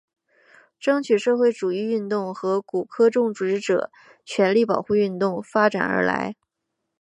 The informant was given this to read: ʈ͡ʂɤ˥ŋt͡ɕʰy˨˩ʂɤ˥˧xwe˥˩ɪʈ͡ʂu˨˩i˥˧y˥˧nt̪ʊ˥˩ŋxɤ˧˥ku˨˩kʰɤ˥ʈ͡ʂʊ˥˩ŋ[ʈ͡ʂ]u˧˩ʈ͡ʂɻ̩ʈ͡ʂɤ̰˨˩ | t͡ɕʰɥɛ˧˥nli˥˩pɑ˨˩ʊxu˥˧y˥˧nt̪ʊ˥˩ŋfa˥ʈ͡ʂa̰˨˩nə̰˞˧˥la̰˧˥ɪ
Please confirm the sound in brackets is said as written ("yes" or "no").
yes